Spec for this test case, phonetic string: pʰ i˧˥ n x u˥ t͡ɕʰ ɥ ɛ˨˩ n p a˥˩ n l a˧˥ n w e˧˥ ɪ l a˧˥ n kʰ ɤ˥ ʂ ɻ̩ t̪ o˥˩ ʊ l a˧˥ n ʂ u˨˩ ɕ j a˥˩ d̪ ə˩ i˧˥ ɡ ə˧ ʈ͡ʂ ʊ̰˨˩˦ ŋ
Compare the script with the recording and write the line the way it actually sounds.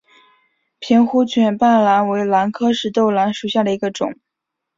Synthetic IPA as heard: pʰ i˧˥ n x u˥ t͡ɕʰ ɥ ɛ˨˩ n p a˥˩ n l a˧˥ n w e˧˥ ɪ l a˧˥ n kʰ ɤ˥ ʂ ɻ̩ t̪ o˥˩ ʊ l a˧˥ n ʂ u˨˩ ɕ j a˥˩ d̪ ə˩ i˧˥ ɡ ə˧ ʈ͡ʂ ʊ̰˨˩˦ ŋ